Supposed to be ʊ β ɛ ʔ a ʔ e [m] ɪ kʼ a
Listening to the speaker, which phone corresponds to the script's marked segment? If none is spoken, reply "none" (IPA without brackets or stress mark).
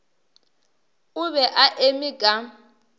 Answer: m